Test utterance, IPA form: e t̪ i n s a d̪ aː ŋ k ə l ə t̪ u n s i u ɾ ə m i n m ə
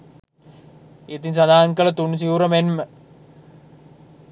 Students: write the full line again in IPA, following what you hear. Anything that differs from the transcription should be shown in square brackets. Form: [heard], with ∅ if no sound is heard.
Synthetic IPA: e t̪ i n s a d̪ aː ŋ k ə l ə t̪ u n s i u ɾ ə m [e] n m ə